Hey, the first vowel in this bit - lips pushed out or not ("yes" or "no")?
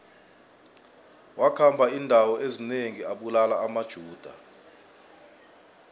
no